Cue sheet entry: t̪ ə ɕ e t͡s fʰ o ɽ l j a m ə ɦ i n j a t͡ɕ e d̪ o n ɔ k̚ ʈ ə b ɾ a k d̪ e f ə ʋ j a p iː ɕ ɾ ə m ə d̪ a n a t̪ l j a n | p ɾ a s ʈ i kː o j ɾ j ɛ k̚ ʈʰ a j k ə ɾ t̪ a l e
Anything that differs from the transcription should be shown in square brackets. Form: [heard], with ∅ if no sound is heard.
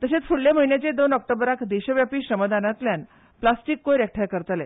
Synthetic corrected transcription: t̪ ə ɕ e t͡s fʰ [u] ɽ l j a m ə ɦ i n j a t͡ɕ e d̪ o n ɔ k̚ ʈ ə b ɾ a k d̪ e [ɕ] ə ʋ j a p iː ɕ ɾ ə m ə d̪ a n a t̪ l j a n | p [l] a s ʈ i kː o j ɾ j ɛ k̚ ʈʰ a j k ə ɾ t̪ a l e